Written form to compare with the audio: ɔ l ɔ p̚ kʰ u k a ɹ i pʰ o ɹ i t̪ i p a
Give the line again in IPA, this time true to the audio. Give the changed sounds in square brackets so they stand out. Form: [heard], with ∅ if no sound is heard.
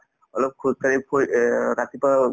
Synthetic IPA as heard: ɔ l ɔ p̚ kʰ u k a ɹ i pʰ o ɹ [a] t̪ i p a